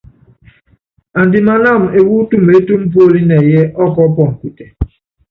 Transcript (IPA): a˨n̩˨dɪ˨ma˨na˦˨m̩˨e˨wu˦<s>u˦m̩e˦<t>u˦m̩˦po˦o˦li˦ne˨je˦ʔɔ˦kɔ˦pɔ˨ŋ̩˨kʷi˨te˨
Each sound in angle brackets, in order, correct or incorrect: incorrect, correct

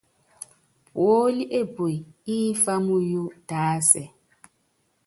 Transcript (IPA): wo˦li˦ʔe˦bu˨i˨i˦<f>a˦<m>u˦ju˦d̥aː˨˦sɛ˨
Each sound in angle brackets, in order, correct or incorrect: correct, correct

